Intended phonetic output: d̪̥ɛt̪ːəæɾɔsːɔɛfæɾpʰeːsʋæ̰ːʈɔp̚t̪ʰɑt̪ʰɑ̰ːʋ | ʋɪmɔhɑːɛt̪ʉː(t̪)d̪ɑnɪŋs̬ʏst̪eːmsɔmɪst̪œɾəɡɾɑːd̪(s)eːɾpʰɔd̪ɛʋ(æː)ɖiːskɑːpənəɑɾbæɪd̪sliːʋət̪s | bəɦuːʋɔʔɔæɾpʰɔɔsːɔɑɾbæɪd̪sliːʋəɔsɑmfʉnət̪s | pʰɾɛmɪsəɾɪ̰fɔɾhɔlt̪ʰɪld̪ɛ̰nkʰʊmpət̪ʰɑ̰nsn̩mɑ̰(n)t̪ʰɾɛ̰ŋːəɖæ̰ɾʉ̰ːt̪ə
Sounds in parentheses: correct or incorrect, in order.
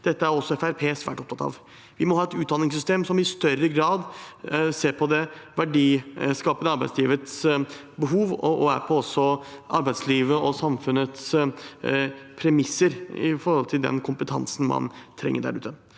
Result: correct, correct, incorrect, correct

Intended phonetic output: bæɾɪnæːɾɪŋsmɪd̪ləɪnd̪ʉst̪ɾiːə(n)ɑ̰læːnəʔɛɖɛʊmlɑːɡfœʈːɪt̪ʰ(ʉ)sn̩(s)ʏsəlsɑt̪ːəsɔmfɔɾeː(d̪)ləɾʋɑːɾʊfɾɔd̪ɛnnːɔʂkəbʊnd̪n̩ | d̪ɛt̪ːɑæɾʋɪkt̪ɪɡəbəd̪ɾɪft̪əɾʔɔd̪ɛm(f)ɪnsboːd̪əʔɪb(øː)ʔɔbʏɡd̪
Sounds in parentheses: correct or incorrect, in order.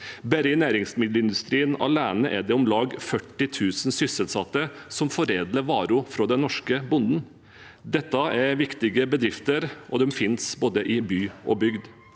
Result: correct, incorrect, correct, correct, correct, incorrect

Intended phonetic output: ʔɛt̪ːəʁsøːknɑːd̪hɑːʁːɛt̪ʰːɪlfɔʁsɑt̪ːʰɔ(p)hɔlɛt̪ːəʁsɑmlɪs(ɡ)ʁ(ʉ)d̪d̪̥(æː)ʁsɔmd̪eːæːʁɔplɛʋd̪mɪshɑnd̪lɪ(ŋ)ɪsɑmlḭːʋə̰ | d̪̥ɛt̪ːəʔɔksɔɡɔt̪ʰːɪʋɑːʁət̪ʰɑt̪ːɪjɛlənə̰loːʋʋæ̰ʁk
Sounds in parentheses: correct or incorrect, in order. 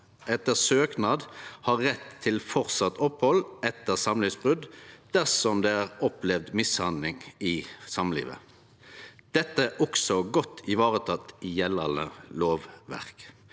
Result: correct, incorrect, correct, incorrect, correct

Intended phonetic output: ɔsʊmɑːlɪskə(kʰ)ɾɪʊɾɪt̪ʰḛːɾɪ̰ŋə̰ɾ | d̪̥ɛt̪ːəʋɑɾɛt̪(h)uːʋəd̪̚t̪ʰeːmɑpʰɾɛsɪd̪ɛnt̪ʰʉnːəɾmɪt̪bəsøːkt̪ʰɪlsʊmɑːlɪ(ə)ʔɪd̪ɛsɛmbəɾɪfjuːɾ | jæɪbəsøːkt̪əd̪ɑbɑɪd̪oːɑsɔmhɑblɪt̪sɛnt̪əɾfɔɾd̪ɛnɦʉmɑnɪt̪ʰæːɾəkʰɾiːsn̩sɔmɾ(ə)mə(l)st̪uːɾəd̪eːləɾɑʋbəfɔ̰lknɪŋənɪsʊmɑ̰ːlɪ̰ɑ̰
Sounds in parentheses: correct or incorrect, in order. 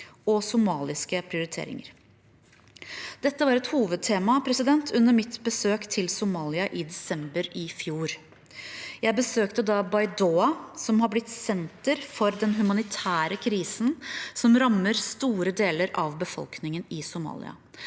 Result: incorrect, correct, incorrect, incorrect, incorrect

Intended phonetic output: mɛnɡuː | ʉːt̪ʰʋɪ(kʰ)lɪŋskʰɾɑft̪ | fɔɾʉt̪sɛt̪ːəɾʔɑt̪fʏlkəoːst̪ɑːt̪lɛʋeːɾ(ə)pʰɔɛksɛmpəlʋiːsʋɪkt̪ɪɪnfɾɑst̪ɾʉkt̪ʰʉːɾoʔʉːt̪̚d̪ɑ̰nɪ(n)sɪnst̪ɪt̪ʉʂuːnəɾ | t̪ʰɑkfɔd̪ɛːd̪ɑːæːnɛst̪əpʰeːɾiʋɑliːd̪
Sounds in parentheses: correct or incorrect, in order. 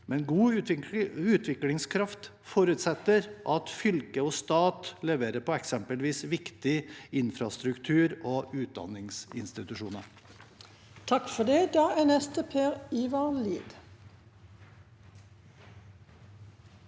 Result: incorrect, correct, incorrect

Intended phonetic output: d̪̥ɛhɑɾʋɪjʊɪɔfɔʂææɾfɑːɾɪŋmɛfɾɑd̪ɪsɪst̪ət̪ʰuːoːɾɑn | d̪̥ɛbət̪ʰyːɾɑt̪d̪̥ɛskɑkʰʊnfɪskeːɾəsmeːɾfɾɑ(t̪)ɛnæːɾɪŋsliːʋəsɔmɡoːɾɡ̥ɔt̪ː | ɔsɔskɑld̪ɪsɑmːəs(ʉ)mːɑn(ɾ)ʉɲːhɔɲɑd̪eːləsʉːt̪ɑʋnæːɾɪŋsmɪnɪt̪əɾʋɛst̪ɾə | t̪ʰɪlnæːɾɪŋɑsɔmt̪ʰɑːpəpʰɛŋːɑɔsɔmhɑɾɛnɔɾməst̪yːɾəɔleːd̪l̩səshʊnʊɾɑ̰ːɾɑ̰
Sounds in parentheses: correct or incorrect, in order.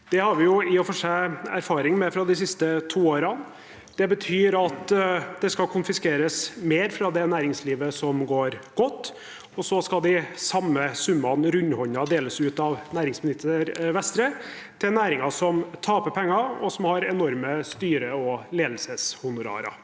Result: incorrect, correct, correct

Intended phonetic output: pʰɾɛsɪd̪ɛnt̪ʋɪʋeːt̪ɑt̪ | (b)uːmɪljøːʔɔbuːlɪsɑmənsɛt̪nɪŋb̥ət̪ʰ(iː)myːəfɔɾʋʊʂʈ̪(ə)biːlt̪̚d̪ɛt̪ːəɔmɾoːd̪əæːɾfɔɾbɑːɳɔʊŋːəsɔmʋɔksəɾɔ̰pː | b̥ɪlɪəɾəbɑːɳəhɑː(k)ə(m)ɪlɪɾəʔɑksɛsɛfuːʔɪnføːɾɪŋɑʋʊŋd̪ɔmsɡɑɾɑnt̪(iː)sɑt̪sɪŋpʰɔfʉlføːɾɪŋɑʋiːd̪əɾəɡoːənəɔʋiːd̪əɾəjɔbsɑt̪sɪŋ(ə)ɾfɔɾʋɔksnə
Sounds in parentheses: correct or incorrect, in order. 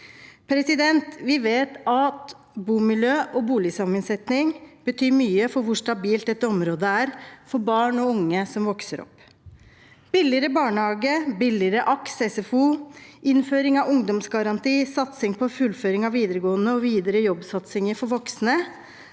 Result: correct, incorrect, incorrect, incorrect, incorrect, correct, correct

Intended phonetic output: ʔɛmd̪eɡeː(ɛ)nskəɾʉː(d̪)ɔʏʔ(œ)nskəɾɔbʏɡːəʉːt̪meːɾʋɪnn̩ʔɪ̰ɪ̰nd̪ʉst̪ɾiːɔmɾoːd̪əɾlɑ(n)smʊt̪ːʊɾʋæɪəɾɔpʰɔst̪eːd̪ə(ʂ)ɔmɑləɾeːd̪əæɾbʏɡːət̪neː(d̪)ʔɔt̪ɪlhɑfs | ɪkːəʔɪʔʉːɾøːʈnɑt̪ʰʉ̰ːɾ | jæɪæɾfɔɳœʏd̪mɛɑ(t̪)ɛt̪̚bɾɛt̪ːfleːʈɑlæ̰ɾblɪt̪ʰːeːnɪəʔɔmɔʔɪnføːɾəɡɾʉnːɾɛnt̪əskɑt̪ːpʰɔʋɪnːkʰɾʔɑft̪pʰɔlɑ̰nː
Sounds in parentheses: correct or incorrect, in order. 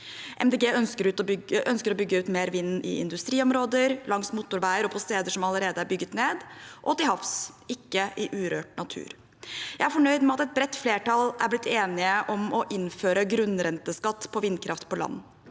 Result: incorrect, incorrect, correct, incorrect, correct, correct, correct

